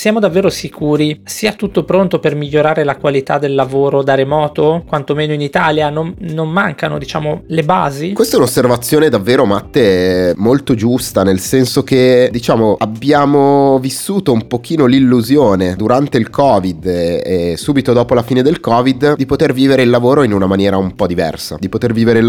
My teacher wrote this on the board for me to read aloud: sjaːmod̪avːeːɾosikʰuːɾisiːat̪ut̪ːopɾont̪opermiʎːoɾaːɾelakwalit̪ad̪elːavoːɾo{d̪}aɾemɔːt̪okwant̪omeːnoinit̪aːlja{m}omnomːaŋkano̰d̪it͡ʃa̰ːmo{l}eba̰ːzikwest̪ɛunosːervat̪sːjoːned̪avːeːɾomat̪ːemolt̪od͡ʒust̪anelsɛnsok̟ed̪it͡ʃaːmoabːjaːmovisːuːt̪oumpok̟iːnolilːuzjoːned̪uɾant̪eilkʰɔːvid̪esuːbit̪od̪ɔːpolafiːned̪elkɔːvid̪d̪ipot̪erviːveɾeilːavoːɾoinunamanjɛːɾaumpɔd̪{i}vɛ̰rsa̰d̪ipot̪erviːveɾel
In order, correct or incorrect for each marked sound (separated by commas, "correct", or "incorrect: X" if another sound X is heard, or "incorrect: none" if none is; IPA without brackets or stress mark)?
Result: correct, incorrect: n, correct, correct